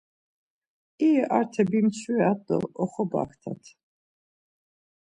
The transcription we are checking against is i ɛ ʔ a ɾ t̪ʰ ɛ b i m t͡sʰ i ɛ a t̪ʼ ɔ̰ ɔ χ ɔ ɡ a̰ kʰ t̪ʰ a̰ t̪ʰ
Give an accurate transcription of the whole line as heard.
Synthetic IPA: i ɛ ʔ a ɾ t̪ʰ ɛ b i m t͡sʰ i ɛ a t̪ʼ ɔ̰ ɔ χ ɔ b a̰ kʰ t̪ʰ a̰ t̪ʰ